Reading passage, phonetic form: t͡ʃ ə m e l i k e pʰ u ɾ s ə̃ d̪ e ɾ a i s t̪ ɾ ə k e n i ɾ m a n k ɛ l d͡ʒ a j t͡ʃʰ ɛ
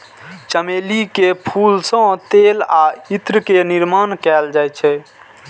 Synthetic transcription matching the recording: t͡ʃ ə m e l i k e pʰ u l s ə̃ t̪ e l a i t̪ ɾ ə k e n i ɾ m a n k ɛ l d͡ʒ a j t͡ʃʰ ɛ